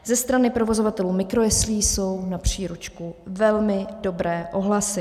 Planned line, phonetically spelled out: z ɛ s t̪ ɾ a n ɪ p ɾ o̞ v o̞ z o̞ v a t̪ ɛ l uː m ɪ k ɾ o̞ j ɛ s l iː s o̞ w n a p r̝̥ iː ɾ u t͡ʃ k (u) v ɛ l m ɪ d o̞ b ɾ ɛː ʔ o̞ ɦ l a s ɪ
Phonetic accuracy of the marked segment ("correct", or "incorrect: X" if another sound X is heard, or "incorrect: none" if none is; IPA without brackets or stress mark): correct